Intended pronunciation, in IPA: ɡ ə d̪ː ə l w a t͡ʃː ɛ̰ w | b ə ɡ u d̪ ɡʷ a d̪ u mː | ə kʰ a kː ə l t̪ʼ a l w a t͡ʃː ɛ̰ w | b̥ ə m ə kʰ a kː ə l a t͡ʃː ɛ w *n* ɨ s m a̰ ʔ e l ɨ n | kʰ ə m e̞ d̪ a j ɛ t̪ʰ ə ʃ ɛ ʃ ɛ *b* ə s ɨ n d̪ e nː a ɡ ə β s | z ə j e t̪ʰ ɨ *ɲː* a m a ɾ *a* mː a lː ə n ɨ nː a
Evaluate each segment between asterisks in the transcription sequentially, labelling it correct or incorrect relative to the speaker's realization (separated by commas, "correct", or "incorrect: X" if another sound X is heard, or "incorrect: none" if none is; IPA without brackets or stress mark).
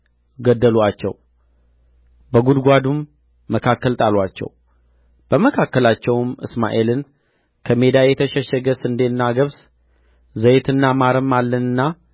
incorrect: m, incorrect: ɡ, incorrect: nː, incorrect: ə